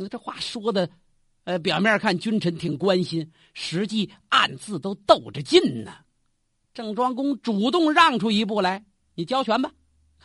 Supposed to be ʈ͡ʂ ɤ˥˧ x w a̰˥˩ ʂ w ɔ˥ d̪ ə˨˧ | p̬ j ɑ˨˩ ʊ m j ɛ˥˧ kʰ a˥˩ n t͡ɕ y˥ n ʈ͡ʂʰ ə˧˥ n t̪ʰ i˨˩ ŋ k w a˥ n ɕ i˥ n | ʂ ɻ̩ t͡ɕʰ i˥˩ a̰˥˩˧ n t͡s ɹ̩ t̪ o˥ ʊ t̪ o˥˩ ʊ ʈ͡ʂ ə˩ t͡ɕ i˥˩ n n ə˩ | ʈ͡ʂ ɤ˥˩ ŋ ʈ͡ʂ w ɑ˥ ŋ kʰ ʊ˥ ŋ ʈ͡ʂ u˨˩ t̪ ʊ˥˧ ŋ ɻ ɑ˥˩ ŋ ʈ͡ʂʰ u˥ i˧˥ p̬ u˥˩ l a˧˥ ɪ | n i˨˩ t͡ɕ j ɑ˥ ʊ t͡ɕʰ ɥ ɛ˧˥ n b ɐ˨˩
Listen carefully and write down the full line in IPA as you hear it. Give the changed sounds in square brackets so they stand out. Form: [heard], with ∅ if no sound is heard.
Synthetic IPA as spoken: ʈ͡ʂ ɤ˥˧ x w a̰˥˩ ʂ w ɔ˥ d̪ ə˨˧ | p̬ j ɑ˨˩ ʊ m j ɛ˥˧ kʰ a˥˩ n t͡ɕ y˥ n ʈ͡ʂʰ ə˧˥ n t̪ʰ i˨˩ ŋ k w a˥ n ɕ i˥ n | ʂ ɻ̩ [t͡ɕ] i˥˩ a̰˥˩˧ n t͡s ɹ̩ t̪ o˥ ʊ t̪ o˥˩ ʊ ʈ͡ʂ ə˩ t͡ɕ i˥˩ n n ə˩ | ʈ͡ʂ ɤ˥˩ ŋ ʈ͡ʂ w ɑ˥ ŋ [k] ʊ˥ ŋ ʈ͡ʂ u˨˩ t̪ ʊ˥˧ ŋ ɻ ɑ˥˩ ŋ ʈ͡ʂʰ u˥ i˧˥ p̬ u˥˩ l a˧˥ ɪ | n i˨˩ t͡ɕ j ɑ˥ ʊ t͡ɕʰ ɥ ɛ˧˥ n b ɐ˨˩